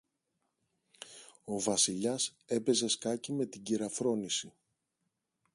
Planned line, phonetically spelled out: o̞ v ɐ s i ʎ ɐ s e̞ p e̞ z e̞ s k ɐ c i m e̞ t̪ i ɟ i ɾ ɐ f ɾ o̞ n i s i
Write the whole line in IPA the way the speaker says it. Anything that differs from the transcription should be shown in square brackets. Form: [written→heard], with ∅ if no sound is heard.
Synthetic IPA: o̞ v ɐ s i ʎ ɐ s e̞ p e̞ z e̞ s k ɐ c i m e̞ t̪ i ɟ i ɾ ɐ f ɾ o̞ n i s i